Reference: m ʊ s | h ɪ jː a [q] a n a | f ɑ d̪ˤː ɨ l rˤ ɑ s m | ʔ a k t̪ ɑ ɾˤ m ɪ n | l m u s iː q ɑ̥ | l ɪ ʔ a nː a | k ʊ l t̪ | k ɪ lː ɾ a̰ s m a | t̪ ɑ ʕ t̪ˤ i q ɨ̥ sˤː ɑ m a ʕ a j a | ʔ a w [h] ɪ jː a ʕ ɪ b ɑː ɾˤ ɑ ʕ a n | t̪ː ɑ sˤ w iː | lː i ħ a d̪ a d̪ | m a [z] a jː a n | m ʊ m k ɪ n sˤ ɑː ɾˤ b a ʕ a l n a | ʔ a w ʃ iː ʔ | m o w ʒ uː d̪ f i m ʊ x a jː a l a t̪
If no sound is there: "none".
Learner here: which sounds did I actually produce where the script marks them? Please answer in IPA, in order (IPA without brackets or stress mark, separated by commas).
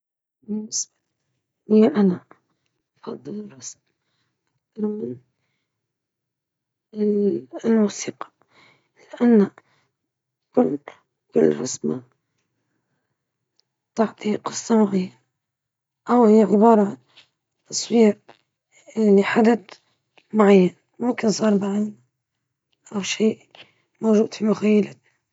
ʔ, h, ʕ